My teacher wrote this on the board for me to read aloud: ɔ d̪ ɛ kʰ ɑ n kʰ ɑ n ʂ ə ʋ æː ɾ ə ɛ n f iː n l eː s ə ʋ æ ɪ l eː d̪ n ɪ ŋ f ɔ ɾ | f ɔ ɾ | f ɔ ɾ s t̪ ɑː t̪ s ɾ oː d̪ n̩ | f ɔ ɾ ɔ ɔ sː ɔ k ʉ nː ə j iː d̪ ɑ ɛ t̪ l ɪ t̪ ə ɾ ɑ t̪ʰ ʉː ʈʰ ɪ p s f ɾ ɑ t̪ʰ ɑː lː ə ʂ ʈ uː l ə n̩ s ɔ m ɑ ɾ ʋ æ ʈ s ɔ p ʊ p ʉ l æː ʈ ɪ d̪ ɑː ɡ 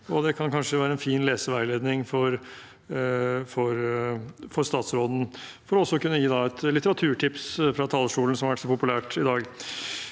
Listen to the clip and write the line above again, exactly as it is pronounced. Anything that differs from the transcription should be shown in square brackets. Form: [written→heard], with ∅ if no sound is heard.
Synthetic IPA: ɔ d̪ ɛ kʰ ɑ n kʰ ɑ n ʂ ə ʋ æː ɾ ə ɛ n f iː n l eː s ə ʋ æ ɪ l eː d̪ n ɪ ŋ f ɔ ɾ | f ɔ ɾ | f ɔ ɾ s t̪ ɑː t̪ s ɾ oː d̪ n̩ | f ɔ ɾ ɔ ɔ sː ɔ k ʉ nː ə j iː d̪ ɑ ɛ t̪ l ɪ t̪ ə ɾ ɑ t̪ʰ ʉː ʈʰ ɪ p s f ɾ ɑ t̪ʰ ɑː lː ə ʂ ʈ uː l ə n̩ s ɔ m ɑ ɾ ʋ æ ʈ s ɔ p ʊ p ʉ l æː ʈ ɪ d̪ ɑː ɡ